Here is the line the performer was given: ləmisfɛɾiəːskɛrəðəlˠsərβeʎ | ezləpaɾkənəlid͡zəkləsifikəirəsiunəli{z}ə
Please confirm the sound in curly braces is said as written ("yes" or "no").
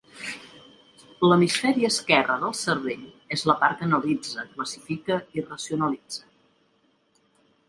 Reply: no